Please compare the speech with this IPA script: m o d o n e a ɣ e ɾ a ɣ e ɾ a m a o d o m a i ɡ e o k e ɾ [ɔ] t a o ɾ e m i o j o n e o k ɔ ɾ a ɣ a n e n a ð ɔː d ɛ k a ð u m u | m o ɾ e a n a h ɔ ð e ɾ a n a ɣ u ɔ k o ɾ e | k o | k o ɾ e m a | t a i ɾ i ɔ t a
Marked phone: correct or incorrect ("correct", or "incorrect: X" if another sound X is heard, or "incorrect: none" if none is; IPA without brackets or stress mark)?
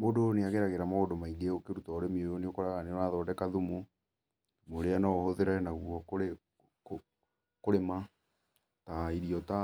incorrect: u